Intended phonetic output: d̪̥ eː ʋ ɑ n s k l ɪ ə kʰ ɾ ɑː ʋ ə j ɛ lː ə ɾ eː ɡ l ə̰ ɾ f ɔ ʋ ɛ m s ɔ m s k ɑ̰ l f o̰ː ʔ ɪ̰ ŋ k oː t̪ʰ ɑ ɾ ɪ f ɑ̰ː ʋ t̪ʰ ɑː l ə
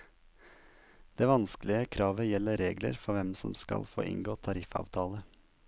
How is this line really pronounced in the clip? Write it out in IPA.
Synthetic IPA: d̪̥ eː ʋ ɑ n s k l ɪ ə kʰ ɾ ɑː ʋ ə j ɛ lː ə ɾ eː ɡ l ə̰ ɾ f ɔ ʋ ɛ m s ɔ m s k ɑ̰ l f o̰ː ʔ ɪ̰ ŋ ɡ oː t̪ʰ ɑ ɾ ɪ f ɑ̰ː ʋ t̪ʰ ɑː l ə